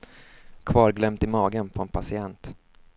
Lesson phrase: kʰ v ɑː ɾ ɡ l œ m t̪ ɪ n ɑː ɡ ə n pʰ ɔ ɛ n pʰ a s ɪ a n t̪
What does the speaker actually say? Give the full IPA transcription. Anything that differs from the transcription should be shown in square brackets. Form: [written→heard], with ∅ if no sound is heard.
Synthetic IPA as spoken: kʰ v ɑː ɾ ɡ l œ m t̪ ɪ [n→m] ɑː ɡ ə n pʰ ɔ ɛ n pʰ a s ɪ [a→ɛ] n t̪